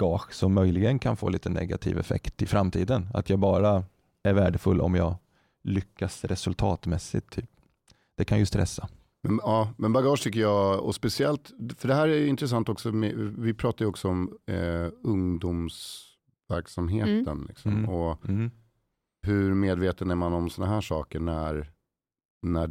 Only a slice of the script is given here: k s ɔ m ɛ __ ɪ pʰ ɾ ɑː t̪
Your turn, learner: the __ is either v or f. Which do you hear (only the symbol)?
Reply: v